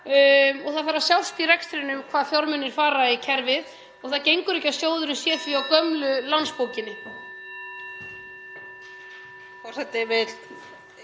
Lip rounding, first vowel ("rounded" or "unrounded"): rounded